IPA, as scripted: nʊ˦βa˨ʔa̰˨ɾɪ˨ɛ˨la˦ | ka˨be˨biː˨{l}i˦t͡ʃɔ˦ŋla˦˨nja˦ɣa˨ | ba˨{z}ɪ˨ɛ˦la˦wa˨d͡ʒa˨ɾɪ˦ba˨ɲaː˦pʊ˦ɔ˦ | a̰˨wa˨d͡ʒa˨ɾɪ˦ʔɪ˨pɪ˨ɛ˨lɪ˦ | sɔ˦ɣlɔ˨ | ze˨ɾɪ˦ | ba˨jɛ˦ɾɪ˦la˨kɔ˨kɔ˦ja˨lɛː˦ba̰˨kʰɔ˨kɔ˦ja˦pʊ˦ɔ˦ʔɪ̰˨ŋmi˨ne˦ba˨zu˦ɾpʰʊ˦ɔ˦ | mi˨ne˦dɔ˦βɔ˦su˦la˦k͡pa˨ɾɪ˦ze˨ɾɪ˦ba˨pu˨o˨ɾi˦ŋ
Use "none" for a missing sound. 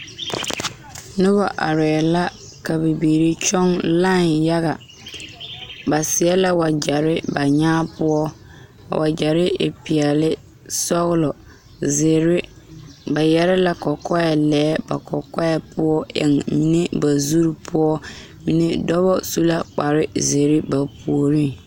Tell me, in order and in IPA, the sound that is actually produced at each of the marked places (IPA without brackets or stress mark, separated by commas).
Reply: ɾ, s